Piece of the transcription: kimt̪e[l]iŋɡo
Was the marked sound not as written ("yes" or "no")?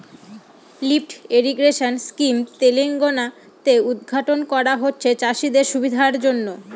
no